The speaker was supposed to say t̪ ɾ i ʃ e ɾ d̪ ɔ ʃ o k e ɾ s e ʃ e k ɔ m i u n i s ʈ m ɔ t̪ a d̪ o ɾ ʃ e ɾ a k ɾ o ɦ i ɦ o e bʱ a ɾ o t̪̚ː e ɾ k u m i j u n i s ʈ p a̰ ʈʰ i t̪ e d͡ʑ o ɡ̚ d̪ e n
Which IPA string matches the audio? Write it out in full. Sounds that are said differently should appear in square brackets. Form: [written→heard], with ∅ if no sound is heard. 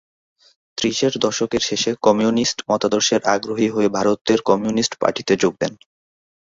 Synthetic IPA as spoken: t̪ ɾ i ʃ e ɾ d̪ ɔ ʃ o k e ɾ [s→ʃ] e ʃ e k ɔ m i u n i s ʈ m ɔ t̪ a d̪ o ɾ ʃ e ɾ a [k→ɡ] ɾ o ɦ i ɦ o e bʱ a ɾ o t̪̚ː e ɾ k [u→ɔ] m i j u n i s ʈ p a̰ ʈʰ i t̪ e d͡ʑ o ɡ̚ d̪ e n